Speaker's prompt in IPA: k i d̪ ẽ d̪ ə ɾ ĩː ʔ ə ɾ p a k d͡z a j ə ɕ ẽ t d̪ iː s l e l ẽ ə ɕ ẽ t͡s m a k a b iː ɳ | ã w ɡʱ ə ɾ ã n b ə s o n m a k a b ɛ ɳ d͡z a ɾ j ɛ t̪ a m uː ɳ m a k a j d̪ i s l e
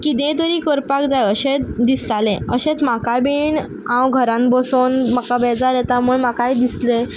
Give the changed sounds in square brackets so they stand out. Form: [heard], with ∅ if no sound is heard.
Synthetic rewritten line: k i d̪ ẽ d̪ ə ɾ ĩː [k] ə ɾ p a k d͡z a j ə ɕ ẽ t d̪ [i] s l [a] l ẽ ə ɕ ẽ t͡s m a k a b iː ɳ | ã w ɡʱ ə ɾ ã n b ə s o n m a k a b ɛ [∅] d͡z a ɾ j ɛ t̪ a m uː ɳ m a k a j d̪ i s l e